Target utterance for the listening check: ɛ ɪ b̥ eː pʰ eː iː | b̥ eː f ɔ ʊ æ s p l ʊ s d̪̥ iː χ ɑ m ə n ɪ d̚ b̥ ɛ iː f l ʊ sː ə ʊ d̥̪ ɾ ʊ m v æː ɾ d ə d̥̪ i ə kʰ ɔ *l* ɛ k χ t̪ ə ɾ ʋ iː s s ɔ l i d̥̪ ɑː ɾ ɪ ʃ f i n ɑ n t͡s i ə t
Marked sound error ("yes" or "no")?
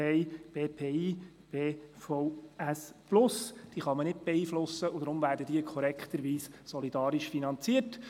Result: yes